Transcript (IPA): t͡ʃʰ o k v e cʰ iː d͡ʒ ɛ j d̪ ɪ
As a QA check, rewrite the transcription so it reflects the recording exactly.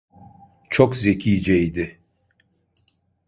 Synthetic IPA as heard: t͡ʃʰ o k z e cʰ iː d͡ʒ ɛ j d̪ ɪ

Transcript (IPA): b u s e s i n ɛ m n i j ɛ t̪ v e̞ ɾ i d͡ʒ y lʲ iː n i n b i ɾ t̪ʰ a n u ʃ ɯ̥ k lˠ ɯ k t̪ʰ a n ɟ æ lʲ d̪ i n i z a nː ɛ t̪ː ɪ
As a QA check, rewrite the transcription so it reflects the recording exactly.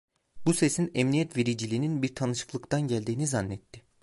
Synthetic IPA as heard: b u s e s i n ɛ m n i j ɛ t̪ v e̞ ɾ i d͡ʒ i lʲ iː n i n b i ɾ t̪ʰ a n ɯ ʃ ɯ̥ k lˠ ɯ k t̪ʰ a n ɟ æ lʲ d̪ iː n i z a nː ɛ t̪ː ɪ

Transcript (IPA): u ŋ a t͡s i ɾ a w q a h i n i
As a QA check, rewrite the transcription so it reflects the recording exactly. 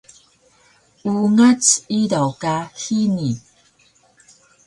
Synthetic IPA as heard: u ŋ a t͡s i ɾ a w k a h i n i

